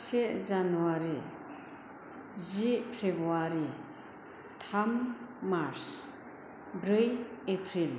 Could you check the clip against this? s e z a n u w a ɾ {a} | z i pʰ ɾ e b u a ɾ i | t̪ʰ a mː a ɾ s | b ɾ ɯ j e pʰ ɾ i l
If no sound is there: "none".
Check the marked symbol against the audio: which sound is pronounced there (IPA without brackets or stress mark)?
i